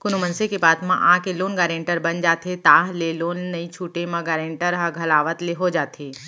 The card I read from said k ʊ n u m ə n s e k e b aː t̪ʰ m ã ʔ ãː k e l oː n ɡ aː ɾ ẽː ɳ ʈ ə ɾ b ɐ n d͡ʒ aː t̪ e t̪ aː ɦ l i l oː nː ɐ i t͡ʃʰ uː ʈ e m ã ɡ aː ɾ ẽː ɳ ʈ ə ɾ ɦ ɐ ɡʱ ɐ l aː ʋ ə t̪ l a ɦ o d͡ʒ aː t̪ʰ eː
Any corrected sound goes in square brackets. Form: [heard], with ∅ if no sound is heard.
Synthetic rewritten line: k ʊ n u m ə n s e k e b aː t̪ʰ m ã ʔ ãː k e l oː n ɡ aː ɾ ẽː ɳ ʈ ə ɾ b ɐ n d͡ʒ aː t̪ e t̪ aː ɦ l [e] l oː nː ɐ i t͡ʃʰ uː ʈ e m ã ɡ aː ɾ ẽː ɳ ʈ ə ɾ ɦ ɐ ɡʱ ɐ l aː ʋ ə t̪ l [e] ɦ o d͡ʒ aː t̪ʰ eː